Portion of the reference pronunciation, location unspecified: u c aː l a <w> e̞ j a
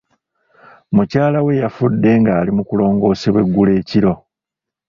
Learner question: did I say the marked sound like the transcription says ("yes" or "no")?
yes